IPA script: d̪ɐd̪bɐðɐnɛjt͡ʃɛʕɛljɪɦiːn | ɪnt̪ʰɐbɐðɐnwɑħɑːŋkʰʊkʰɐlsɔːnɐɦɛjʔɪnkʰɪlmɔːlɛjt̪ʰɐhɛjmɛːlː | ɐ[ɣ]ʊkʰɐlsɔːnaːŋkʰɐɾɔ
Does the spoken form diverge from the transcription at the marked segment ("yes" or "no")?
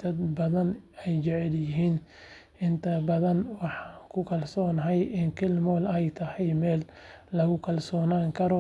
no